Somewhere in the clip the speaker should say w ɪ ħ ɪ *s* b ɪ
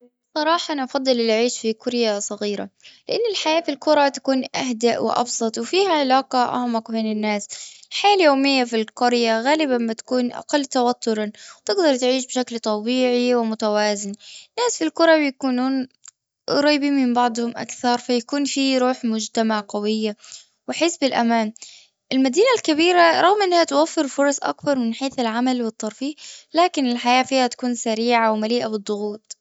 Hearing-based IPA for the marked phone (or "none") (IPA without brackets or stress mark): s